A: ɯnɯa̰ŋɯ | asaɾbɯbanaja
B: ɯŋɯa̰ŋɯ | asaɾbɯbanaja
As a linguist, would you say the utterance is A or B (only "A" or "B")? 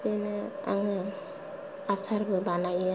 A